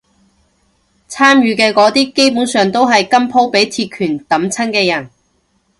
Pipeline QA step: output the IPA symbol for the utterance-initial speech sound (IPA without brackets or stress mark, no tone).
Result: t͡sʰ